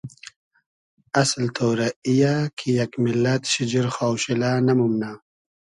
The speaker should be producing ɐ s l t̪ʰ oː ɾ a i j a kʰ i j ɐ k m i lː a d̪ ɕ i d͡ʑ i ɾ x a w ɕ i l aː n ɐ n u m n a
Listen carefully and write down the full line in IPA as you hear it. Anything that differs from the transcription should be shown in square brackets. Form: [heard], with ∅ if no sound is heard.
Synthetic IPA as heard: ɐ s l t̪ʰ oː ɾ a i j a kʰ i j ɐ k m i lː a [t̪] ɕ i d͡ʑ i ɾ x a w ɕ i l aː n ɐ [m] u m n a